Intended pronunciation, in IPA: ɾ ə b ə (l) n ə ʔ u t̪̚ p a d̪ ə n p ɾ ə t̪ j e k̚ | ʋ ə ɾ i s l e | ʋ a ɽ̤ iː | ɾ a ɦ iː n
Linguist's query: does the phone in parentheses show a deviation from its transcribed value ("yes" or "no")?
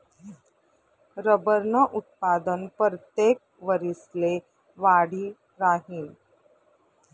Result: yes